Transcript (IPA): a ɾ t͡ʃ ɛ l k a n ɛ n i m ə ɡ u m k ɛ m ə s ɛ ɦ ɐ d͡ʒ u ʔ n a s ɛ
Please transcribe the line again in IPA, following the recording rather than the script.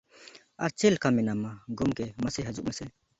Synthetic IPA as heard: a ɾ t͡ʃ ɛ l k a m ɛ n a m a ɡ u m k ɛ m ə s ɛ ɦ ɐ d͡ʒ u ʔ m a s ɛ